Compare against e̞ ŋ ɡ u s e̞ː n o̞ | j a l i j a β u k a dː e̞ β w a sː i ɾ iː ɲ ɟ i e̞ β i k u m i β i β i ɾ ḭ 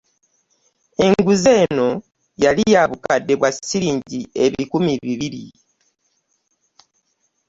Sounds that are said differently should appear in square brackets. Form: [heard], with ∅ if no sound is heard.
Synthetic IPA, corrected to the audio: e̞ ŋ ɡ u [z] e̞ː n o̞ | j a l i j a β u k a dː e̞ β w a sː i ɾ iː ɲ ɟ i e̞ β i k u m i β i β i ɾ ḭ